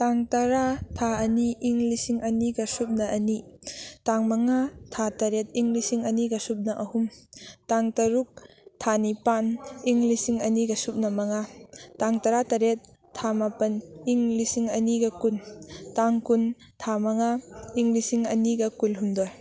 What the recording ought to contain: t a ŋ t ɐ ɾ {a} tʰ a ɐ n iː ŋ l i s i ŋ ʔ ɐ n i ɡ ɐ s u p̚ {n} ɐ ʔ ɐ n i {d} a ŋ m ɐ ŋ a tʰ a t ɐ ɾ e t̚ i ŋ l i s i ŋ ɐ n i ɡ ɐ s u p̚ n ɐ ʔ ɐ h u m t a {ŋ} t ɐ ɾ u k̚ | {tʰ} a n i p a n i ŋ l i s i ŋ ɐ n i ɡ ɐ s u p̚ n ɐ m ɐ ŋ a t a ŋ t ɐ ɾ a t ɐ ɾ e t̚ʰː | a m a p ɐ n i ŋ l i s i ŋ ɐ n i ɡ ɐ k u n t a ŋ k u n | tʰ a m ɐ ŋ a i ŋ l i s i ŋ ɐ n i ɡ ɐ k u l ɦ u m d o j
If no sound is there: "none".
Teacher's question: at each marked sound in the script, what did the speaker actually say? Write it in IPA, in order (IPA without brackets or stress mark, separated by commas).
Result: a, n, t, ŋ, tʰ